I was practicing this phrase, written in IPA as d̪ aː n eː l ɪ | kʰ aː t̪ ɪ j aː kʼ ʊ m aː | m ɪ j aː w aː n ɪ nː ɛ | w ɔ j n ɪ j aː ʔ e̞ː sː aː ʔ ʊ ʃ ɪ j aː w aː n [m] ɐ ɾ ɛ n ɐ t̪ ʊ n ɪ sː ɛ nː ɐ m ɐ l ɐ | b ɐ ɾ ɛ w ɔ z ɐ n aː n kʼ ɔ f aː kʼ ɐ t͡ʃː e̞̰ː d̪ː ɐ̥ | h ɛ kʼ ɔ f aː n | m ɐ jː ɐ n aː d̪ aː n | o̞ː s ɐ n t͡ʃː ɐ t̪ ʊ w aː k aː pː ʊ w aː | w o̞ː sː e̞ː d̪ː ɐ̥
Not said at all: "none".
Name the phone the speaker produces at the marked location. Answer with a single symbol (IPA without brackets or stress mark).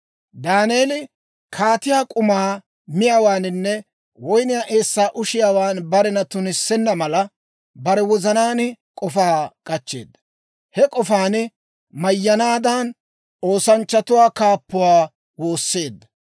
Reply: b